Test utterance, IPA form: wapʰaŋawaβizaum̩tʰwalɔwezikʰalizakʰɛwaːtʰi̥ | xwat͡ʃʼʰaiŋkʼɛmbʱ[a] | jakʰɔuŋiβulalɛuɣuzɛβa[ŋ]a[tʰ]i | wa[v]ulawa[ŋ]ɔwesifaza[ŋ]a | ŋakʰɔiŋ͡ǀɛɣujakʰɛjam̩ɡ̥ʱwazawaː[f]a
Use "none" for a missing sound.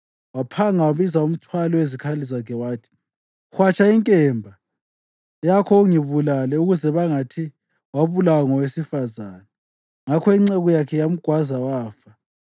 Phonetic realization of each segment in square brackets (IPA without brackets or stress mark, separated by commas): a, ŋ, tʰ, β, ŋ, n, f